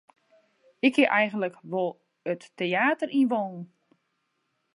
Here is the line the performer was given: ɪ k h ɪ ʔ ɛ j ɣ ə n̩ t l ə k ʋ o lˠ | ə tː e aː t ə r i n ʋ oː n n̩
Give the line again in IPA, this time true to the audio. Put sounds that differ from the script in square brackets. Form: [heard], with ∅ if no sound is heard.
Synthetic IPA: ɪ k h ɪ ʔ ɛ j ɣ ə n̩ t l ə k ʋ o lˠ | ə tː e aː t ə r i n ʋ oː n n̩